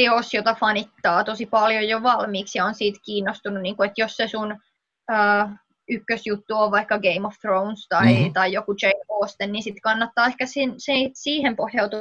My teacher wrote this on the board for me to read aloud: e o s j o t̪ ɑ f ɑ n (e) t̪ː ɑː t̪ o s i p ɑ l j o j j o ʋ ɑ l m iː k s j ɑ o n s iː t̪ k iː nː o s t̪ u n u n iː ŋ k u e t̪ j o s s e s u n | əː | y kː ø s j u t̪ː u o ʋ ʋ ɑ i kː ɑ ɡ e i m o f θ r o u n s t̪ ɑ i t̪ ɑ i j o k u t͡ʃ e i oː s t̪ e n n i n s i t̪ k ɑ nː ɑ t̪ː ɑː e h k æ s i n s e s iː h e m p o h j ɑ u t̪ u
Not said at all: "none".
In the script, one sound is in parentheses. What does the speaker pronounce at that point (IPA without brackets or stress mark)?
i